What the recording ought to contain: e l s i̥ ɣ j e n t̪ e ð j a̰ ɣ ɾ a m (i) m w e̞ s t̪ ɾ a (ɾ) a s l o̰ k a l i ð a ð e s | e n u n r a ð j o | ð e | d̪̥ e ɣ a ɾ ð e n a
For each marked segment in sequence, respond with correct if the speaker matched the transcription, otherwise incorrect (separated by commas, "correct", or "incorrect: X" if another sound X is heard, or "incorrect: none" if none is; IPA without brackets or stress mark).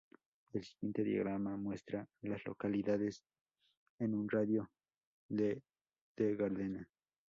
incorrect: a, incorrect: l